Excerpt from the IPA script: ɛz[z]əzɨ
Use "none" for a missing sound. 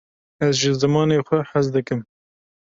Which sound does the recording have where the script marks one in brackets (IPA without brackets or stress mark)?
ʒ